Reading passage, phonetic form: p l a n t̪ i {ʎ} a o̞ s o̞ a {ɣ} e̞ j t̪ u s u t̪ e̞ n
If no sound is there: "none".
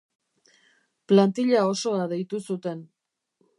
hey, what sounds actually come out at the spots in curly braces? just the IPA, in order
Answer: ʎ, ð

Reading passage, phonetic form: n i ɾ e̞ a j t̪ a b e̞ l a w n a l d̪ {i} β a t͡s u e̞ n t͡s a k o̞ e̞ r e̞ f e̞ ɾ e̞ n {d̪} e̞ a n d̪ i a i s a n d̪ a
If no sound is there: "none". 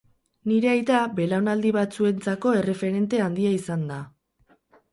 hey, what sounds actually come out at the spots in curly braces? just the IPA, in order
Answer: i, t̪

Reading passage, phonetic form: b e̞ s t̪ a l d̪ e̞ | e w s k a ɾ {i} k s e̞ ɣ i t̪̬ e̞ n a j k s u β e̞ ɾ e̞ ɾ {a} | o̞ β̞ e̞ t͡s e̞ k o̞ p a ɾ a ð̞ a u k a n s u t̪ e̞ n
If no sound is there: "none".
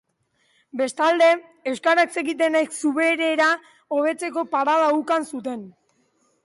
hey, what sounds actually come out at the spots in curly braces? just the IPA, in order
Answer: a, a

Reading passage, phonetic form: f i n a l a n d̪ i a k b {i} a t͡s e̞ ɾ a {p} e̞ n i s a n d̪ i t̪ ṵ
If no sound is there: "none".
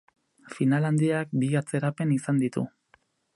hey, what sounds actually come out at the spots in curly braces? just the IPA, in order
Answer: i, p

